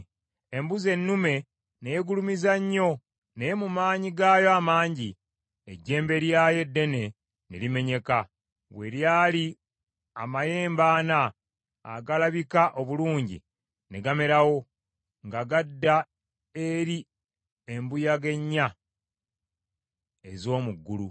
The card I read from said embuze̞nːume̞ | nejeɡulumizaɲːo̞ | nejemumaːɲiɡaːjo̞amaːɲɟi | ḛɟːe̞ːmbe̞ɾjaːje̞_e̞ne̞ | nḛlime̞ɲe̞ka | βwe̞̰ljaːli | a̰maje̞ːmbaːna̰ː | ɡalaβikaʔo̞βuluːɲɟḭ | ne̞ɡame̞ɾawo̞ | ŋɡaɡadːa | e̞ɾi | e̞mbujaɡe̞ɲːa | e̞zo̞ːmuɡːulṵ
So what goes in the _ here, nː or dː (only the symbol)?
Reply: dː